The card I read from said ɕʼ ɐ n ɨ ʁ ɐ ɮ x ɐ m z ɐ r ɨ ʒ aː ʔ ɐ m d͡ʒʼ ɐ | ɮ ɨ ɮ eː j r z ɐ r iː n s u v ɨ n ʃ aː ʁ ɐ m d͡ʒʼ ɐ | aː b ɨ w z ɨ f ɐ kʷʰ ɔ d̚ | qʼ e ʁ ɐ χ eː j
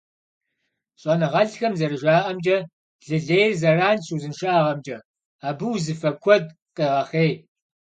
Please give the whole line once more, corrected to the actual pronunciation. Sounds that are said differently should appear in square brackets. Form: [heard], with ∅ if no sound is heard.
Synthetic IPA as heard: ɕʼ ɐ n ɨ ʁ ɐ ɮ x ɐ m z ɐ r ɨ ʒ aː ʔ ɐ m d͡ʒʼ ɐ | ɮ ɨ ɮ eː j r z ɐ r [aː] n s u [z] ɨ n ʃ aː ʁ ɐ m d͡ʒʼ ɐ | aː b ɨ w z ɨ f ɐ kʷʰ ɔ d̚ | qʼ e ʁ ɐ χ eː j